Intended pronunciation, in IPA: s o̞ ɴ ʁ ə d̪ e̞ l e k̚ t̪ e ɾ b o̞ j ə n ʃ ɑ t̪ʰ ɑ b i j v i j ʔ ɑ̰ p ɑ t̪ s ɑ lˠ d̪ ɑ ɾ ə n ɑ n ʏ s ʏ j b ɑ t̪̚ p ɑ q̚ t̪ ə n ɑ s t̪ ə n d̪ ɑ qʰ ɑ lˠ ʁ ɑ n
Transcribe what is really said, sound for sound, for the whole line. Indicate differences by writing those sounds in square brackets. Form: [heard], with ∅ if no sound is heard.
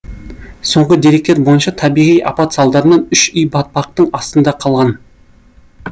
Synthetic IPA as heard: s o̞ ɴ ʁ ə d̪ e̞ [ɾ] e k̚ t̪ e ɾ b o̞ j ə n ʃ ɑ t̪ʰ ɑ b i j [ʁ] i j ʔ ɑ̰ p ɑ t̪ s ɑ lˠ d̪ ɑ ɾ ə n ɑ n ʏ [ʃ] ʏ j b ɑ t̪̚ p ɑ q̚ t̪ ə [ɴ] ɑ s t̪ ə n d̪ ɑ qʰ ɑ lˠ ʁ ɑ n